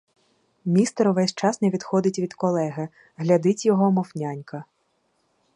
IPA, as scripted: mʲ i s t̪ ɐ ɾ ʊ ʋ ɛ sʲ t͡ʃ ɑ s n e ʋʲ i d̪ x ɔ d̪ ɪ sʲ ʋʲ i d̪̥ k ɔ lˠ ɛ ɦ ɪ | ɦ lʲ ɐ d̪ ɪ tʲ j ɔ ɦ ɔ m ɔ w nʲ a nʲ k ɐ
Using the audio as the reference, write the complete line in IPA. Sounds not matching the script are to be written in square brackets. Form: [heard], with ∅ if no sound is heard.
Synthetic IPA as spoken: mʲ i s t̪ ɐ ɾ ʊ ʋ ɛ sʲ t͡ʃ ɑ s n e ʋʲ i d̪ x ɔ d̪ ɪ [tʲ] ʋʲ i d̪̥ k ɔ lˠ ɛ ɦ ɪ | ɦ lʲ ɐ d̪ ɪ tʲ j ɔ ɦ ɔ m ɔ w nʲ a nʲ k ɐ

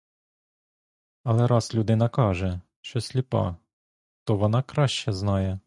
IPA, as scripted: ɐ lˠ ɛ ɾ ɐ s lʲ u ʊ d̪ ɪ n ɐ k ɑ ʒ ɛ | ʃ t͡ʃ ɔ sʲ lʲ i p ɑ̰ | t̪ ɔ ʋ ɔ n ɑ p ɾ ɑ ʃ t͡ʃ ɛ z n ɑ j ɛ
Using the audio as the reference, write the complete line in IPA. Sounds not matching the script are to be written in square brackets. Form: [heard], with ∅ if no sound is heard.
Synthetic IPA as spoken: ɐ lˠ ɛ ɾ [ɑ] s lʲ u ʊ d̪ ɪ n ɐ k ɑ ʒ ɛ | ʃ t͡ʃ ɔ sʲ lʲ i p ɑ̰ | t̪ ɔ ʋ ɔ n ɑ [k] ɾ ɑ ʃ t͡ʃ ɛ z n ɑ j ɛ

